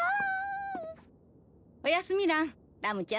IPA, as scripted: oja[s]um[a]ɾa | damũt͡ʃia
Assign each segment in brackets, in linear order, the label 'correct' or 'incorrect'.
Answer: correct, incorrect: i

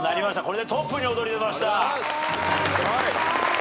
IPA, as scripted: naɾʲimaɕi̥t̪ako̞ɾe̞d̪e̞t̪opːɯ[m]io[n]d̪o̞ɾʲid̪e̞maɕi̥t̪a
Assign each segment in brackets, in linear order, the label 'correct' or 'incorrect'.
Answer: incorrect: ɲ, incorrect: none

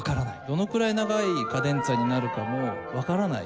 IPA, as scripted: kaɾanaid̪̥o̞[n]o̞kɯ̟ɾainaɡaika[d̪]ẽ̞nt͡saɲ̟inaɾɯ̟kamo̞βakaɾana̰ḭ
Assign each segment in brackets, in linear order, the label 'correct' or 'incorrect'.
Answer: correct, correct

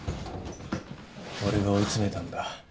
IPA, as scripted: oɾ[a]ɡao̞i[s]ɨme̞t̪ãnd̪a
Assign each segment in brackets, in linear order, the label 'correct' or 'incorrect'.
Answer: incorrect: e, incorrect: t͡s

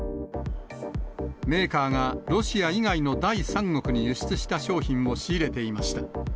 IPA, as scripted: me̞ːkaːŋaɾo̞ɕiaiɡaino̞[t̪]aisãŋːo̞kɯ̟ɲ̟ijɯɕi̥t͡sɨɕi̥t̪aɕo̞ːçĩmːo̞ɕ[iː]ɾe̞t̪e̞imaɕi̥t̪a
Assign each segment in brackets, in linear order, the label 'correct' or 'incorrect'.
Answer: incorrect: d̪, correct

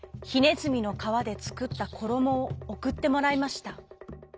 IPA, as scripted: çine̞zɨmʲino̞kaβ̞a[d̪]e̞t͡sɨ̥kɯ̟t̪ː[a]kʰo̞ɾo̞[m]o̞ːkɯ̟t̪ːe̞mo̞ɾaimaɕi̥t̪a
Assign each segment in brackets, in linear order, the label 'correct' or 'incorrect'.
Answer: correct, correct, correct

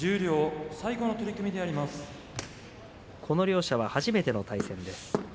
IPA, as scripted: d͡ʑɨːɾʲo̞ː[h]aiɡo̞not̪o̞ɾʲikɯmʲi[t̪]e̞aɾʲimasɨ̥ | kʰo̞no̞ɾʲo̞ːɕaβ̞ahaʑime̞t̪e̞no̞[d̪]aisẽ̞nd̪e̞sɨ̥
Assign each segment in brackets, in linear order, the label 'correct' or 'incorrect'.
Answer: incorrect: s, incorrect: d̪, incorrect: t̪

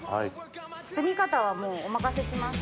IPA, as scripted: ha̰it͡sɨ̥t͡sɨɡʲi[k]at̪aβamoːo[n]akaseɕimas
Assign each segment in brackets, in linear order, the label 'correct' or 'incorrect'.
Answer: correct, incorrect: m

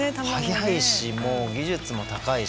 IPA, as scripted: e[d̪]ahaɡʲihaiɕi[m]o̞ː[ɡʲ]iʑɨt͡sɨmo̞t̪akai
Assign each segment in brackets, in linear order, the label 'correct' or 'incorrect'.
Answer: incorrect: t̪, correct, correct

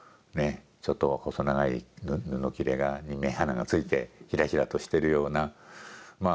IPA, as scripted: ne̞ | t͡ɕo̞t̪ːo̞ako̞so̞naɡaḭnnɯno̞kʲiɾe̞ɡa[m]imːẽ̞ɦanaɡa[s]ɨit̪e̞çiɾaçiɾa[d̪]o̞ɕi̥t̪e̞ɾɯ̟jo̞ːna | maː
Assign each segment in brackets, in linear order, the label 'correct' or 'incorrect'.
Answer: incorrect: ɲ, incorrect: t͡s, incorrect: t̪

